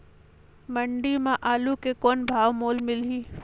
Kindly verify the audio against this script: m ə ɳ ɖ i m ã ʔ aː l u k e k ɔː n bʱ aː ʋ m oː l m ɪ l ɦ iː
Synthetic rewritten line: m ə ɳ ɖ i m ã ʔ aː l u k e k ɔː n bʱ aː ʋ m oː l m ɪ l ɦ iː